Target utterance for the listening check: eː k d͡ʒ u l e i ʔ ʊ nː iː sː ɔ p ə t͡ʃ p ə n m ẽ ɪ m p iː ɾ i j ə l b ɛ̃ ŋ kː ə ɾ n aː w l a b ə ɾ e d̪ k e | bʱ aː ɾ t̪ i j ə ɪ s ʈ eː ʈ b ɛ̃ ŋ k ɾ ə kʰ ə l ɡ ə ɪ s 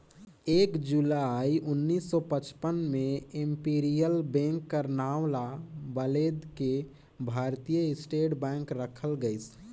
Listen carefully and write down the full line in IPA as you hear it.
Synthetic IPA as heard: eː k d͡ʒ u l a i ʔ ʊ nː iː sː ɔ p ə t͡ʃ p ə n m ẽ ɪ m p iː ɾ i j ə l b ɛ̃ ŋ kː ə ɾ n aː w l a b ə l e d̪ k e | bʱ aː ɾ t̪ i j ə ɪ s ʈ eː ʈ b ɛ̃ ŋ k ɾ ə kʰ ə l ɡ ə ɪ s